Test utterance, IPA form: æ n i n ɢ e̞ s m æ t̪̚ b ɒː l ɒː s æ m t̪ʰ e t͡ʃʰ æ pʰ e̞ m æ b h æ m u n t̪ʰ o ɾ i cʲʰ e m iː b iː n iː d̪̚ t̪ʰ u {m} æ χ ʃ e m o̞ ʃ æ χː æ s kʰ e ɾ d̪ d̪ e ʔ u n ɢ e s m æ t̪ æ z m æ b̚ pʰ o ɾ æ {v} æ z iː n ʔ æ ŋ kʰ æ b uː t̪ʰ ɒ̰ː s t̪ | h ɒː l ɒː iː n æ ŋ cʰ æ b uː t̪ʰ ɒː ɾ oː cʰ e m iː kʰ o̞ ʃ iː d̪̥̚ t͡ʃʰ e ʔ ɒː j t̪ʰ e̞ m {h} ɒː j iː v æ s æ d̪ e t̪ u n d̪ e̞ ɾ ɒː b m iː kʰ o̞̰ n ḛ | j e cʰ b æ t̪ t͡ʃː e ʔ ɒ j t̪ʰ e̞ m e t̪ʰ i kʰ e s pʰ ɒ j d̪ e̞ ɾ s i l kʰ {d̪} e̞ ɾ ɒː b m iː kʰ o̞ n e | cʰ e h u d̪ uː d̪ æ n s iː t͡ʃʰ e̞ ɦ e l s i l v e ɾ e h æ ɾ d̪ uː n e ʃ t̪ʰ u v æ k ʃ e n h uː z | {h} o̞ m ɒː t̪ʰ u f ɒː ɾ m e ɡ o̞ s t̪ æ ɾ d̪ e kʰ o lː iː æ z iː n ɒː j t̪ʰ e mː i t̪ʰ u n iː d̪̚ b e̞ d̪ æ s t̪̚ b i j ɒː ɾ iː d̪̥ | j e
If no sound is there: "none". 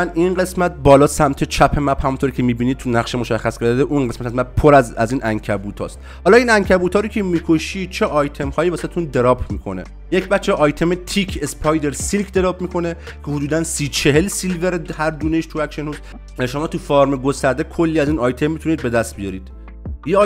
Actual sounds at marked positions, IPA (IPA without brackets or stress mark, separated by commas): n, z, h, d̪, ʃ